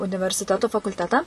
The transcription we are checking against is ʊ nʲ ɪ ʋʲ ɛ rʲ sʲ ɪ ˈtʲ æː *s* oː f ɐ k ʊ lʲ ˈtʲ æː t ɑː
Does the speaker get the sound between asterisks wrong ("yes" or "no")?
yes